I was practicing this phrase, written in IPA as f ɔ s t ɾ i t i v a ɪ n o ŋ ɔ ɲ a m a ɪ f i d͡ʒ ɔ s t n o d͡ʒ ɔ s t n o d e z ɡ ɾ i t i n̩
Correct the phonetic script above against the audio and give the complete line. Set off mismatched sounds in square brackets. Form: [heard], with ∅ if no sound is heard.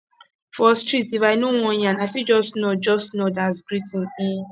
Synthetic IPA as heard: f ɔ s t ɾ i t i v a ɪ n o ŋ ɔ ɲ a [n] a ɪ f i d͡ʒ ɔ s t n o d͡ʒ ɔ s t n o d [a] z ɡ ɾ i t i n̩